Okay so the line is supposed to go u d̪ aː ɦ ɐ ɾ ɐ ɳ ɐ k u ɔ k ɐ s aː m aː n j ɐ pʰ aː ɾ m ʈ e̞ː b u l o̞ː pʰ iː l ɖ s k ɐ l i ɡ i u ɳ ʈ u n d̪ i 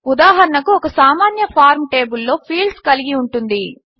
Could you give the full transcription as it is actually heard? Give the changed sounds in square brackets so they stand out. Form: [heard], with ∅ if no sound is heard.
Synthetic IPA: u d̪ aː ɦ ɐ ɾ ɐ ɳ ɐ k u ɔ k ɐ s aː m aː n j ɐ pʰ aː ɾ m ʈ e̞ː b u [lː] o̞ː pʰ iː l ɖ s k ɐ l i ɡ i u ɳ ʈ u n d̪ i